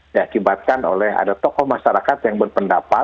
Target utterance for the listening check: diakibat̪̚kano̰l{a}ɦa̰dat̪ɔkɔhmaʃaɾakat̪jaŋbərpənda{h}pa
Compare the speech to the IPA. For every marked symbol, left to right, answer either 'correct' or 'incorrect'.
incorrect, incorrect

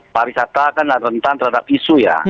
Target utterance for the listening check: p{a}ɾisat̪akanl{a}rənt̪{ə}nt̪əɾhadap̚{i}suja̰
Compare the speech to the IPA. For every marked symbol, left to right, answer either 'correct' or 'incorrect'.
correct, correct, incorrect, correct

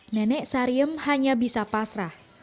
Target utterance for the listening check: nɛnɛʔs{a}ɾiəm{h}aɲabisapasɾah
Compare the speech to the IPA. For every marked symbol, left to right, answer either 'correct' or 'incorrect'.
correct, correct

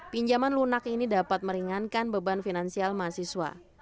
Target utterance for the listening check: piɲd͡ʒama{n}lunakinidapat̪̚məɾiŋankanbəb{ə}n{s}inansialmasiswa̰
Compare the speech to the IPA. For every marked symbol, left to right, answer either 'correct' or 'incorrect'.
correct, incorrect, incorrect

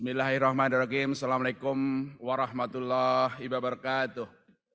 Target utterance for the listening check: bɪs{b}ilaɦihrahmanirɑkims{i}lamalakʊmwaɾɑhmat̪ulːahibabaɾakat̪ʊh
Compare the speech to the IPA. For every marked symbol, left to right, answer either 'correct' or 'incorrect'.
incorrect, incorrect

